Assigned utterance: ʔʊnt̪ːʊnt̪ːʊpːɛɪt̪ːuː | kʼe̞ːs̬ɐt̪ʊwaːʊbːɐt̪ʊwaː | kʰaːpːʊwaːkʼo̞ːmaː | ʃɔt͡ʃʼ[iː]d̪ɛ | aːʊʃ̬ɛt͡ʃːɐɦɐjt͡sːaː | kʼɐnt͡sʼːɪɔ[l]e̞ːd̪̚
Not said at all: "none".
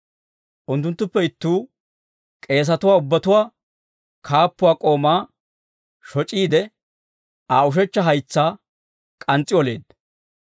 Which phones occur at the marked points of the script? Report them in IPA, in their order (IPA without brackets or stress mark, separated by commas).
iː, l